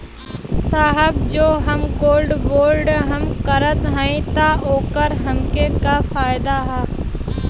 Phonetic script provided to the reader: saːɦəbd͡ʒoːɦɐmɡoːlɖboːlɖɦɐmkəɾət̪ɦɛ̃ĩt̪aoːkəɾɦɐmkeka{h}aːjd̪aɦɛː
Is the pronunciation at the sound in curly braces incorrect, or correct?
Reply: incorrect